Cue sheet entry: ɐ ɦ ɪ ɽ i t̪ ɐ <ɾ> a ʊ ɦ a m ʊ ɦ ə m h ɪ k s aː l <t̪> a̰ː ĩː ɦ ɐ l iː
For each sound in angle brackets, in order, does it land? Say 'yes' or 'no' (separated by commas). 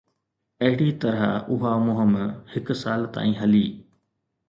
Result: yes, yes